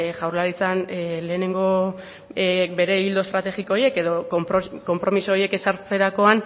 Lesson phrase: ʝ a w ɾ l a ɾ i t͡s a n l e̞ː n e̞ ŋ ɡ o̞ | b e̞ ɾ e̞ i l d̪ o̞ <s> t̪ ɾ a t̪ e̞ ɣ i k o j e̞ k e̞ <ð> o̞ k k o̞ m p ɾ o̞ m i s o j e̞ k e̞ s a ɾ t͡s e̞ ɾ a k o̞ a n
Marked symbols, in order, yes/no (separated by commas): yes, yes